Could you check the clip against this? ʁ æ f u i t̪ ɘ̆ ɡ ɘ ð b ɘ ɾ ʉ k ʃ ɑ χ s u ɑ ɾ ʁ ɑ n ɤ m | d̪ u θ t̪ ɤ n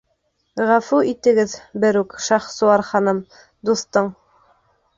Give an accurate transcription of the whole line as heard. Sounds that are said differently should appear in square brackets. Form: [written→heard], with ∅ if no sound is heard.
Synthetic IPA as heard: ʁ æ f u i t̪ ɘ̆ ɡ ɘ ð b ɘ ɾ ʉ k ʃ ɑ χ s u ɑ ɾ [ʁ→χ] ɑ n ɤ m | d̪ u θ t̪ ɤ [n→ɴ]